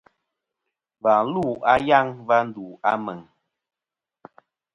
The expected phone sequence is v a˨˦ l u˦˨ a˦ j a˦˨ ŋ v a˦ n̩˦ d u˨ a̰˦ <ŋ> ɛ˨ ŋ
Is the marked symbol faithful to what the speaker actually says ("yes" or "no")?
no